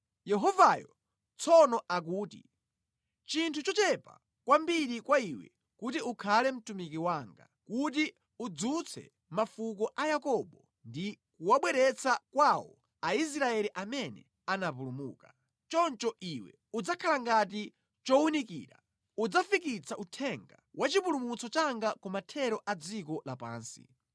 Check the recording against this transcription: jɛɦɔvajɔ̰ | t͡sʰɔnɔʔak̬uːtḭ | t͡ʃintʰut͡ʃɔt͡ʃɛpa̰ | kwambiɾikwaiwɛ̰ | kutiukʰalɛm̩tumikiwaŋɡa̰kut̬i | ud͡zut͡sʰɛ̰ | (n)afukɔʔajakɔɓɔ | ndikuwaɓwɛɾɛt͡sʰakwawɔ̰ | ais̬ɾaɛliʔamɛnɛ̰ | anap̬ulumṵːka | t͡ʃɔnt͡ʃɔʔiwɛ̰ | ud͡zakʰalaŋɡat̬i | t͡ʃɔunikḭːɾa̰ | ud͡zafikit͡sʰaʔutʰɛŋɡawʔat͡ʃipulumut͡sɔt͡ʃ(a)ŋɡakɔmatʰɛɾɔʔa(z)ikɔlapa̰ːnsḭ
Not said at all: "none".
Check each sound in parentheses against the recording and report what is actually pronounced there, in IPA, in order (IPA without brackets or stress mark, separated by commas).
m, a, d͡z